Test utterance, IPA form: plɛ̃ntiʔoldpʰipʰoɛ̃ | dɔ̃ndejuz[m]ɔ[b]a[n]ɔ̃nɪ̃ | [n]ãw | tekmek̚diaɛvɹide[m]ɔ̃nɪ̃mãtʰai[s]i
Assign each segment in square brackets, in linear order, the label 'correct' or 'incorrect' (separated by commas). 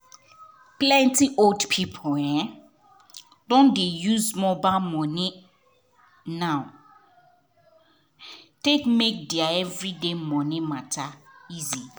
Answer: correct, correct, incorrect, correct, correct, incorrect